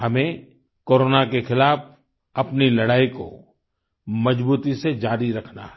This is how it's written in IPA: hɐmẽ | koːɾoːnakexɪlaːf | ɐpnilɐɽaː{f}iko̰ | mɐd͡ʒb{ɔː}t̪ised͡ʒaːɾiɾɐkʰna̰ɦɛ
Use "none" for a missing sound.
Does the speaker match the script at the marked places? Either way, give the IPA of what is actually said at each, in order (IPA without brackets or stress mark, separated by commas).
none, uː